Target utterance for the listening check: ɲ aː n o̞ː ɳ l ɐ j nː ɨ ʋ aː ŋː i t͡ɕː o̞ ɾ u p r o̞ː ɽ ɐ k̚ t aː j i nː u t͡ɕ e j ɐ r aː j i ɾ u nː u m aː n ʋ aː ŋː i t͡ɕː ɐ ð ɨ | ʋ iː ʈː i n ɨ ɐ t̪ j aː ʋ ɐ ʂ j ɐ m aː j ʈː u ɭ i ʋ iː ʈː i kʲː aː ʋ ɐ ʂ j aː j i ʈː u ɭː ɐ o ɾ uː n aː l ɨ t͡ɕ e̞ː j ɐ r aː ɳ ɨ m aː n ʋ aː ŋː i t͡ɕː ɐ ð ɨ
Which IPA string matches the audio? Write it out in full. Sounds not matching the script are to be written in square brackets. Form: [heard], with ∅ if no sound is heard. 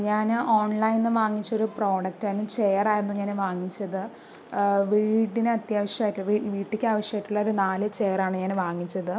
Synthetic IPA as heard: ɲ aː n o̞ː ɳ l ɐ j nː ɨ ʋ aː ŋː i t͡ɕː o̞ ɾ u p r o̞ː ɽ ɐ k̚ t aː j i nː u t͡ɕ e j ɐ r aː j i ɾ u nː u [ɲ] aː n ʋ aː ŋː i t͡ɕː ɐ ð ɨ | ʋ iː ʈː i n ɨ ɐ t̪ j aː ʋ ɐ ʂ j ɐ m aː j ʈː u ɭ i ʋ iː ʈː i kʲː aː ʋ ɐ ʂ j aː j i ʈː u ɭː ɐ o ɾ [u] n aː l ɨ t͡ɕ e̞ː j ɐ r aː ɳ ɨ [ɲ] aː n ʋ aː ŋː i t͡ɕː ɐ ð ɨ